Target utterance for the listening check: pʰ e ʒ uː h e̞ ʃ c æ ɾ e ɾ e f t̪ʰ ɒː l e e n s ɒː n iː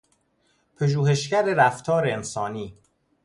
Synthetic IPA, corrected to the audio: pʰ e ʒ uː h e̞ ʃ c æ ɾ e ɾ æ f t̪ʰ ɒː ɾ e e n s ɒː n iː